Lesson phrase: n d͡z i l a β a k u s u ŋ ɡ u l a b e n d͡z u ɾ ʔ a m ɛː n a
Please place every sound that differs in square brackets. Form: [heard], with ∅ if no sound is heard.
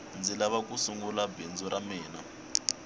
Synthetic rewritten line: n d͡z i l a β a k u s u ŋ ɡ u l a b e n d͡z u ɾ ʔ a m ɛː n a